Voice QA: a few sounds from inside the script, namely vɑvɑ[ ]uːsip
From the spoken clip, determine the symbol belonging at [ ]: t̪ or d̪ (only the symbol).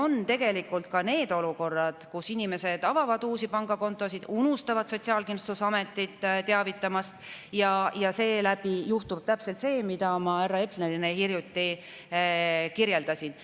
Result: d̪